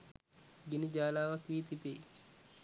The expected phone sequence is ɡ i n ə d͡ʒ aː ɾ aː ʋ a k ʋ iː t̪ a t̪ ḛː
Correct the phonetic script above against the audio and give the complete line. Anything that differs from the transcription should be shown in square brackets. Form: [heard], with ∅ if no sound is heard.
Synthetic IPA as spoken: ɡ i n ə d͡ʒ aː [l] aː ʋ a k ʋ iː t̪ [i] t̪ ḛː